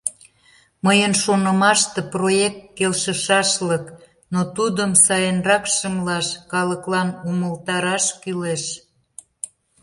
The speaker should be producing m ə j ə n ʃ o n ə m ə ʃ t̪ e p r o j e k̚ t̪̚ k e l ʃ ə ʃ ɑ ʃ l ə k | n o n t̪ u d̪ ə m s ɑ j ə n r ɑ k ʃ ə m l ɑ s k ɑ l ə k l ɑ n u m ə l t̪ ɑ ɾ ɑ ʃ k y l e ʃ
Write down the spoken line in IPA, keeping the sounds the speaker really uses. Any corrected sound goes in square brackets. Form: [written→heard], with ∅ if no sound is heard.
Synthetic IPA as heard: m ə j ə n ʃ o n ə m [ə→ɑ] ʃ t̪ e p r o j e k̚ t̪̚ k e l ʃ ə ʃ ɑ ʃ l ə k | n o [n→∅] t̪ u d̪ ə m s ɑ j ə n r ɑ k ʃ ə m l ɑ [s→ʃ] k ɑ l ə k l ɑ n u m ə l t̪ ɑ ɾ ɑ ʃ k y l e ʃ